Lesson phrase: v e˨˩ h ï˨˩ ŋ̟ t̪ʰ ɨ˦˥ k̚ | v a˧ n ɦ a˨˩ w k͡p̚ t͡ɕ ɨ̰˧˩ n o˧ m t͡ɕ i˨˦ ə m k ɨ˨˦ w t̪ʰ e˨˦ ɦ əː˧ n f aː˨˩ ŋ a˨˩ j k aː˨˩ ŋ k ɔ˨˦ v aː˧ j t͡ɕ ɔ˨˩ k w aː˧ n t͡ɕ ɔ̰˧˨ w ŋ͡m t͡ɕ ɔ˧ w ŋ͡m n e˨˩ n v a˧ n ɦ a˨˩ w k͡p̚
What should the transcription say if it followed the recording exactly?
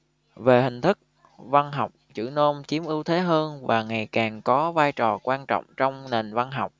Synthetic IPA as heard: v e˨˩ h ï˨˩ ŋ̟ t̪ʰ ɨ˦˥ k̚ | v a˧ n ɦ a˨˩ w k͡p̚ t͡ɕ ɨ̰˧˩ n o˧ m t͡ɕ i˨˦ ə m ʔ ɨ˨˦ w t̪ʰ e˨˦ ɦ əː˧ n v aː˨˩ ŋ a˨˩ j k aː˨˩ ŋ k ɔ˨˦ v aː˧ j t͡ɕ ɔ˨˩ k w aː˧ n t͡ɕ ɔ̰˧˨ w ŋ͡m t͡ɕ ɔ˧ w ŋ͡m n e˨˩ n v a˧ n ɦ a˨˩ w k͡p̚